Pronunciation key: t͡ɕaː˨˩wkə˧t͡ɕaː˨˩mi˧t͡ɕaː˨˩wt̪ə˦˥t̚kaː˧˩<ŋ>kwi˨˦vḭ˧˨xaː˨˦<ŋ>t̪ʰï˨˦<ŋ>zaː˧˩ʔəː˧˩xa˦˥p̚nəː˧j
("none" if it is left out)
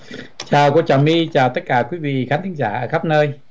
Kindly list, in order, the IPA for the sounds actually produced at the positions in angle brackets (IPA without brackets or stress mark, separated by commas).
none, n, ŋ